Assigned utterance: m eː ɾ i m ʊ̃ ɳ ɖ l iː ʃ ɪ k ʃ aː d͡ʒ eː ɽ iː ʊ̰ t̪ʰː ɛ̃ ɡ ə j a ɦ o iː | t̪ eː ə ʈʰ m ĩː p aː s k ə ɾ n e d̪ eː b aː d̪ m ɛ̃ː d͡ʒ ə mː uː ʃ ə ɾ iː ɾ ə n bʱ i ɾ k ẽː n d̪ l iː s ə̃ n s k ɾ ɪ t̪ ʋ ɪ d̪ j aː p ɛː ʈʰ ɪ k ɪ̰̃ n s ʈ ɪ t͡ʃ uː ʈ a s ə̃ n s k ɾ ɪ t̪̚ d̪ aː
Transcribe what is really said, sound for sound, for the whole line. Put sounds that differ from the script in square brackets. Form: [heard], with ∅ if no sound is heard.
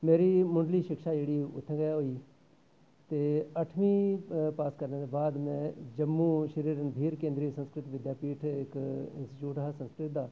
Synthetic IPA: m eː ɾ i m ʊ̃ ɳ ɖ l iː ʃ ɪ k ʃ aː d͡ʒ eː ɽ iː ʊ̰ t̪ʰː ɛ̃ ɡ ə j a ɦ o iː | t̪ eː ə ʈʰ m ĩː p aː s k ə ɾ n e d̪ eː b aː d̪ m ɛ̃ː d͡ʒ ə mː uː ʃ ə ɾ iː ɾ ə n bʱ [iː] ɾ k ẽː n d̪ [ɾ] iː s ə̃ n s k ɾ ɪ t̪ ʋ ɪ d̪ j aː p [iː] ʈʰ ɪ k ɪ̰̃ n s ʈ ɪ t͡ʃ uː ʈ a s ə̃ n s k ɾ ɪ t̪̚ d̪ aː